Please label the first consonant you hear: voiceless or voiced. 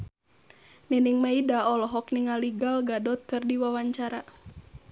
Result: voiced